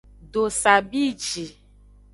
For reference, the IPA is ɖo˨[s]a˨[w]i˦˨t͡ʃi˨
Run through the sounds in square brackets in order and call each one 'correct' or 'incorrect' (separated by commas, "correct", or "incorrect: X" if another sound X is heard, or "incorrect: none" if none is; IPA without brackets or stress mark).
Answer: correct, incorrect: b